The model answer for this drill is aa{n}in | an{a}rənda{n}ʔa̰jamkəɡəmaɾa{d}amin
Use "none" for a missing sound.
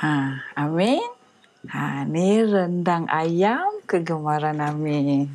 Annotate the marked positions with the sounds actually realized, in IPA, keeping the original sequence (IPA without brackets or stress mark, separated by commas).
m, i, ŋ, n